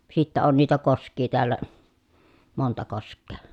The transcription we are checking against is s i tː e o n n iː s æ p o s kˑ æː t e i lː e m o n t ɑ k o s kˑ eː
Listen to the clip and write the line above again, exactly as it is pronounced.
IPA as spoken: s i tː æ o n n iː t æ k o s kˑ iː t e æ lː æ m o n t ɑ k o s kˑ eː